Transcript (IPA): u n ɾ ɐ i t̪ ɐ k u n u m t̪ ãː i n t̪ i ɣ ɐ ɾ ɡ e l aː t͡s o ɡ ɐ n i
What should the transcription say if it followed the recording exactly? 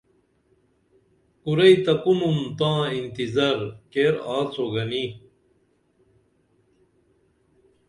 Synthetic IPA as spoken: u ɾ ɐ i t̪ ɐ k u n u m t̪ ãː i n t̪ i z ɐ ɾ k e ɾ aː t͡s o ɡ ɐ n i